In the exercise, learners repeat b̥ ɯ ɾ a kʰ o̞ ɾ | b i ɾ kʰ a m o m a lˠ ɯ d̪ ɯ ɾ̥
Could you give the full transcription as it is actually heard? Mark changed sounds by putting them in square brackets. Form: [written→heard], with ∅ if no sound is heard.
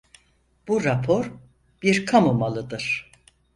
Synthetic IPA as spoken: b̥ [ɯ→u] ɾ a [kʰ→pʰ] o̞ ɾ | b i ɾ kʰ a m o m a lˠ ɯ d̪ ɯ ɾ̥